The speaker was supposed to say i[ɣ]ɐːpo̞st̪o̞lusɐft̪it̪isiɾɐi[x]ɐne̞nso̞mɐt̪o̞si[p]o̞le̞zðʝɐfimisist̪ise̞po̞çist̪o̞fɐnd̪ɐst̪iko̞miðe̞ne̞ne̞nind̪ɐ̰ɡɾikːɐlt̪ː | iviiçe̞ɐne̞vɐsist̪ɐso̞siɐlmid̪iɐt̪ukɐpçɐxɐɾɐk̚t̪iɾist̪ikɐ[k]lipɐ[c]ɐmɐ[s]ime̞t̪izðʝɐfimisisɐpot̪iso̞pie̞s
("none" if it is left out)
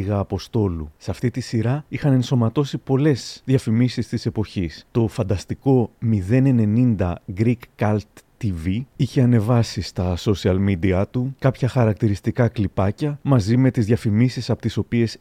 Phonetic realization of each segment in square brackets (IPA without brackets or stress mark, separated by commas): ɣ, x, p, k, c, z